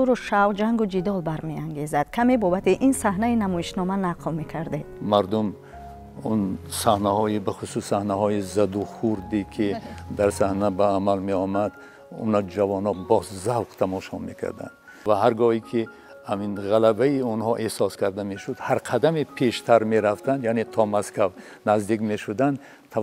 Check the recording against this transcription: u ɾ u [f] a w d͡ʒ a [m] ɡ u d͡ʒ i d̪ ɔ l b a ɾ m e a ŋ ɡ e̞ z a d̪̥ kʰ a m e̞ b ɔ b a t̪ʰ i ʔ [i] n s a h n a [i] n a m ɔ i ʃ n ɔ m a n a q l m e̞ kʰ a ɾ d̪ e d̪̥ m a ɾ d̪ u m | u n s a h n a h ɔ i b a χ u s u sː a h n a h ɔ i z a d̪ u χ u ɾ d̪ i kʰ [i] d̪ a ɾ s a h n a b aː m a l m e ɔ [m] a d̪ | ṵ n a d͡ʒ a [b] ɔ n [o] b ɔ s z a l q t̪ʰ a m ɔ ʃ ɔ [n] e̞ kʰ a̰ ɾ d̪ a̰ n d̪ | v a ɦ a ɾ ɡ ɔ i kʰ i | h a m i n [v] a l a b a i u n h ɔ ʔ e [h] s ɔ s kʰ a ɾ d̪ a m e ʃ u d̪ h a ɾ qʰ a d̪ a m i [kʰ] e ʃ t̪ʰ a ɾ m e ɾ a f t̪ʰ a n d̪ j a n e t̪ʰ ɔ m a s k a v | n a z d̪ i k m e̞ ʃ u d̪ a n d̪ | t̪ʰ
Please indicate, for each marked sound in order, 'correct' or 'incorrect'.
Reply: incorrect: ʃ, incorrect: ŋ, correct, correct, correct, correct, incorrect: v, incorrect: ɔ, incorrect: m, incorrect: ʁ, correct, incorrect: pʰ

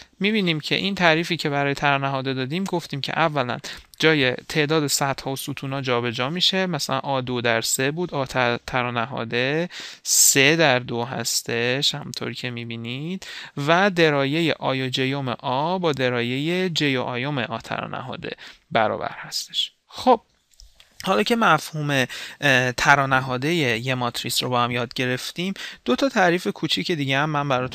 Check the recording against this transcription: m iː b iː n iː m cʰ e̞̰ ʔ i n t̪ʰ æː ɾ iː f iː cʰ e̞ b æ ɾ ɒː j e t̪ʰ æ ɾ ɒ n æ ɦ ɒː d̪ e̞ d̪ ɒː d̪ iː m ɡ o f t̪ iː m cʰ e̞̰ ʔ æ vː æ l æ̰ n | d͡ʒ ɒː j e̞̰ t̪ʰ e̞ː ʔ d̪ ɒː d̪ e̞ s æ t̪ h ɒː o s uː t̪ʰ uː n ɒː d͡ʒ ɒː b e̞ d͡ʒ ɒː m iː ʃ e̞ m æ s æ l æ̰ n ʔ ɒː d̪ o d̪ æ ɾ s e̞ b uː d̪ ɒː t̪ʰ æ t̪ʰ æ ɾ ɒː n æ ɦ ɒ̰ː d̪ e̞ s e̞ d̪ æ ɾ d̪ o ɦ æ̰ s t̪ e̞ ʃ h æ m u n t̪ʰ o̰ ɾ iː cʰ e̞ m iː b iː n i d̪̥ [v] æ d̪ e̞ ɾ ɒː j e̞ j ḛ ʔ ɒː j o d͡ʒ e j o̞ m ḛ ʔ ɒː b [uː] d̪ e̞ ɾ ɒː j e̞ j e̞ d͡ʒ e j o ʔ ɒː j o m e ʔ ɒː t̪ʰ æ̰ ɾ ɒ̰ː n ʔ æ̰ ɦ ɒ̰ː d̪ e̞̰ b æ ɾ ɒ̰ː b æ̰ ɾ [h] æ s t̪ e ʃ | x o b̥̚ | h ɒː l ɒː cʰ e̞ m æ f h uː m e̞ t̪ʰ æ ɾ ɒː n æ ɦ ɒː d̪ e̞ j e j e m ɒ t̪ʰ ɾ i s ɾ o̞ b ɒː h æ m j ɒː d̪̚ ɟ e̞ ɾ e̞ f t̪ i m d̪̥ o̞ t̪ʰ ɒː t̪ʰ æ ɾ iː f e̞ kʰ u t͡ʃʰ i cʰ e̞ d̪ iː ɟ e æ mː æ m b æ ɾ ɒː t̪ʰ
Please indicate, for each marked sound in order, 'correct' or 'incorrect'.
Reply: correct, incorrect: ɒː, correct

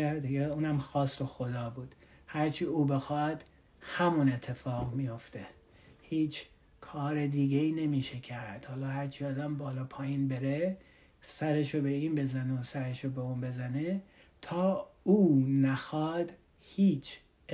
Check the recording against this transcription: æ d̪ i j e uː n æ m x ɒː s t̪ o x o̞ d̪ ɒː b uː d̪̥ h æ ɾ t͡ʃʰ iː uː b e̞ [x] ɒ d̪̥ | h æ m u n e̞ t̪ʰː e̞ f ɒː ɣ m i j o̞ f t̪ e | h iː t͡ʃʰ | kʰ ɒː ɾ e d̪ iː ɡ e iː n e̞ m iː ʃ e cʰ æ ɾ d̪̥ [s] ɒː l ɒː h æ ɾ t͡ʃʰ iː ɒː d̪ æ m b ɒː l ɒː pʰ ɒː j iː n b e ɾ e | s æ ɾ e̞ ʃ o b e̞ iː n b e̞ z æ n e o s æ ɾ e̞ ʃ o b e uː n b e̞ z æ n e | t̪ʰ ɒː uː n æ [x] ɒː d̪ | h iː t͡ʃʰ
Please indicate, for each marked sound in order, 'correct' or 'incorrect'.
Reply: correct, incorrect: h, correct

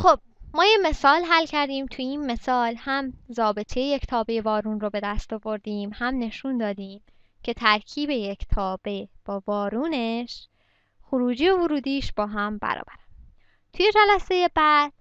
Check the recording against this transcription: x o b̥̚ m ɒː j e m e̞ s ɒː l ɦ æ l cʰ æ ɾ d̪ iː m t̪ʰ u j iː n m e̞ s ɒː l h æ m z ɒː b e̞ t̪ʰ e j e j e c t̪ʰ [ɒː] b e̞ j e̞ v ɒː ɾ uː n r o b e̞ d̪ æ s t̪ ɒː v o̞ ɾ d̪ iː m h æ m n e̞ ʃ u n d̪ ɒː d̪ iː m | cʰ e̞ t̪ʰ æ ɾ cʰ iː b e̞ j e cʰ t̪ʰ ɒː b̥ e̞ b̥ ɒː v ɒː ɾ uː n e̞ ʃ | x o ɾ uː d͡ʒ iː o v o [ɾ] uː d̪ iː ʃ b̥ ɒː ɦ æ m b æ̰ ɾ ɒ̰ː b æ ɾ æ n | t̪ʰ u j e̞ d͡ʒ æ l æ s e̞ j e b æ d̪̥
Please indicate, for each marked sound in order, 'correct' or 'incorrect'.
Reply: correct, correct

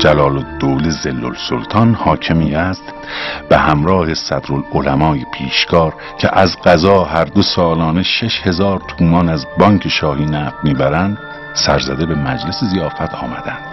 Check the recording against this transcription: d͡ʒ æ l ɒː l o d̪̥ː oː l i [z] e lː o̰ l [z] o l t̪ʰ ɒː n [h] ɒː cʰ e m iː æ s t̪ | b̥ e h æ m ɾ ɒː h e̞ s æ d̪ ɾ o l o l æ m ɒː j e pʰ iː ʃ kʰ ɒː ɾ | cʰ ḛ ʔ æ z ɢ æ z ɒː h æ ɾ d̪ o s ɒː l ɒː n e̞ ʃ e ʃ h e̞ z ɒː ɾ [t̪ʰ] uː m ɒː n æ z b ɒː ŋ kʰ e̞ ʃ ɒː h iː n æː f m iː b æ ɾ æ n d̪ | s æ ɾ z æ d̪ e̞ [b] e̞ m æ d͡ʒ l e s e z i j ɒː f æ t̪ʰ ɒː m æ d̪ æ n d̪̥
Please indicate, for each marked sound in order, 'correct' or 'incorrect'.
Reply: correct, incorrect: s, correct, correct, correct

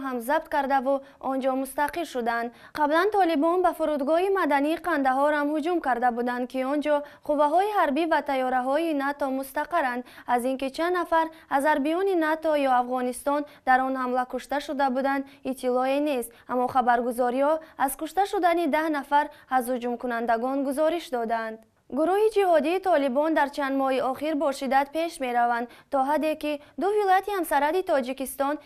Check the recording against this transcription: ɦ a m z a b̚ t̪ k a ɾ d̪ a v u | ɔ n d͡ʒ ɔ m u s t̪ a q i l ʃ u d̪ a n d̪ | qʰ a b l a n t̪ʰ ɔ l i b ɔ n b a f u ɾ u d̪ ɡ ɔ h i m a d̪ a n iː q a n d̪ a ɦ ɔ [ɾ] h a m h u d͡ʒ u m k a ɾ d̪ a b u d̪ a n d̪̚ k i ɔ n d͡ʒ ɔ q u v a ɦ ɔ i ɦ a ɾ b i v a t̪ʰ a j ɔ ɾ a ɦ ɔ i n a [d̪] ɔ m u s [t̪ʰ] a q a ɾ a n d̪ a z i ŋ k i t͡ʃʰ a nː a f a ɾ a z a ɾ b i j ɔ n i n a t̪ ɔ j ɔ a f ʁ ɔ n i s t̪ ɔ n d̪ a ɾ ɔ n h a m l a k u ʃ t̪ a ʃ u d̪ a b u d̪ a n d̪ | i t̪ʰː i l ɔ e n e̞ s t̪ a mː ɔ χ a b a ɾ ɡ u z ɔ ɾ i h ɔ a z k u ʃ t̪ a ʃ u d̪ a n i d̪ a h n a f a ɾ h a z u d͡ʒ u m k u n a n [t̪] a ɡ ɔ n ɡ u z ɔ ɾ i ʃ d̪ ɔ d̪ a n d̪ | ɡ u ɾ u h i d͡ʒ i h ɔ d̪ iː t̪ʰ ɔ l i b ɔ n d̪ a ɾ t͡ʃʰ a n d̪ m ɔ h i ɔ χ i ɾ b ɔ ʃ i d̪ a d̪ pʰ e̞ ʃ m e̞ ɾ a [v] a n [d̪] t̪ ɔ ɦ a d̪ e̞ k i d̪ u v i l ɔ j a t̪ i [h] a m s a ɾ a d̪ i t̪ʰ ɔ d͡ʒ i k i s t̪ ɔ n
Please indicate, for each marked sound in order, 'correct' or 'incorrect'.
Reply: correct, incorrect: t̪, incorrect: t̪, incorrect: d̪, correct, correct, correct

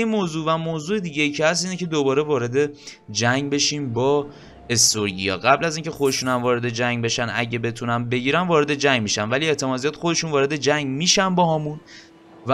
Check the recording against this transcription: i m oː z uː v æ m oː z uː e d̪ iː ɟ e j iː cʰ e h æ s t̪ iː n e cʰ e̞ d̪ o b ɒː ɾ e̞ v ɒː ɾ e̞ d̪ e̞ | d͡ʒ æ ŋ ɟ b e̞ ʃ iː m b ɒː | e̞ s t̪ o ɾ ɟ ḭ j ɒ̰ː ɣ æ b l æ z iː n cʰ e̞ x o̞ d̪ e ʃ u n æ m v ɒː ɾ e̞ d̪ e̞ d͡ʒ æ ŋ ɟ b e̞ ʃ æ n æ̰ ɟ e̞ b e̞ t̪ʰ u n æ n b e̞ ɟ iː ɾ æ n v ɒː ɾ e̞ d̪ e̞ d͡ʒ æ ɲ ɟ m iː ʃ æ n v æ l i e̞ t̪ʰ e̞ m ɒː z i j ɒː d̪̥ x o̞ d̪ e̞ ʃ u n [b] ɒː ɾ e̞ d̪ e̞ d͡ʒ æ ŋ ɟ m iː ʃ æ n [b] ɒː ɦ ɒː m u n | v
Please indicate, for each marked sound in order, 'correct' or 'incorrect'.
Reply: incorrect: v, correct

